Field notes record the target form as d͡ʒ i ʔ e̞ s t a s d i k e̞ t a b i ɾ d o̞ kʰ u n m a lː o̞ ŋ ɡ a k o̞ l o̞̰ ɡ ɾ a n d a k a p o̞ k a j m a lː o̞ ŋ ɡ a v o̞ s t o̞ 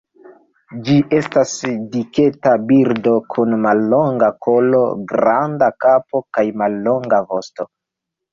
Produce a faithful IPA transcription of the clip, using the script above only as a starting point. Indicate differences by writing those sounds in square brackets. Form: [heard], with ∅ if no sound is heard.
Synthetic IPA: d͡ʒ i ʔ e̞ s t a s d i k e̞ t a b i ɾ d o̞ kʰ u n m a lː o̞ ŋ ɡ a k o̞ l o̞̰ ɡ ɾ a n d a k a p o̞ k a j m a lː o̞ ŋ ɡ a v o̞ s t o̞